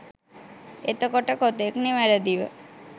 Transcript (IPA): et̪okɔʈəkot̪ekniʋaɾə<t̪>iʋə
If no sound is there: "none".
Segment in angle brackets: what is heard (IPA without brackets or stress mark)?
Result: d̪